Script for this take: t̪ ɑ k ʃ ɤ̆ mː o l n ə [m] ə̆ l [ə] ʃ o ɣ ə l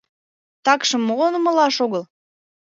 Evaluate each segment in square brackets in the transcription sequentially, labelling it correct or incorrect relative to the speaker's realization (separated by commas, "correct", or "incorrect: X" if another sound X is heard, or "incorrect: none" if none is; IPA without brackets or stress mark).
correct, incorrect: ɑ